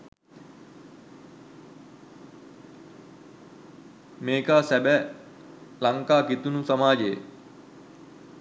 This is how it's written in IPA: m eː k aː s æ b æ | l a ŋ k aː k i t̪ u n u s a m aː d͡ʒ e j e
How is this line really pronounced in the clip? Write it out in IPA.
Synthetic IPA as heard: m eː k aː s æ b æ | l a ŋ k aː k i t̪ u n u s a m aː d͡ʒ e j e